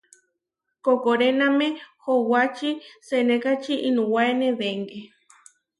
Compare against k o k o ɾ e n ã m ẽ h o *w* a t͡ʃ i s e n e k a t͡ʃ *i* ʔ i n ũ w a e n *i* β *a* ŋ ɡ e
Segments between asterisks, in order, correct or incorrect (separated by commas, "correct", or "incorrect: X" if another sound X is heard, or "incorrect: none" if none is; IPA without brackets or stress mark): correct, correct, incorrect: e, incorrect: e